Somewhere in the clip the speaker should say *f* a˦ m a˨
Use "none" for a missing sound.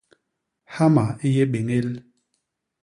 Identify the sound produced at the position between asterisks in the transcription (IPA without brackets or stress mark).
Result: h